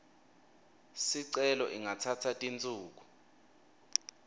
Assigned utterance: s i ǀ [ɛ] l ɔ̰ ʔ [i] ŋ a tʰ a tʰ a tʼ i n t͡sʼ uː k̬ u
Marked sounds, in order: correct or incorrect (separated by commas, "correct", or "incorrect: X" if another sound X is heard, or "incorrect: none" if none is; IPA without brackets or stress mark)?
correct, correct